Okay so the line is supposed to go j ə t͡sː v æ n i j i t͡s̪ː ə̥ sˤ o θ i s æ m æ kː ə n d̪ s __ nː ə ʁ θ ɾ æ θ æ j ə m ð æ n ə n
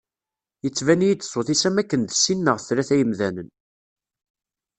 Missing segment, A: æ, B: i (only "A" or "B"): B